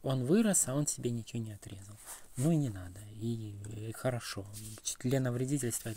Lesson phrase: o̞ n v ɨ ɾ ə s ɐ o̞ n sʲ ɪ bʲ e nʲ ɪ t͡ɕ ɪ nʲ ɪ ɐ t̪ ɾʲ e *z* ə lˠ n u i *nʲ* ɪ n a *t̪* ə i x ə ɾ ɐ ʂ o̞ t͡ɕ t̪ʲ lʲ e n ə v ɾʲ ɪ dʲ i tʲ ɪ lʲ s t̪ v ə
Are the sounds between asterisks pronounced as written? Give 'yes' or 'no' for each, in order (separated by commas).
yes, yes, no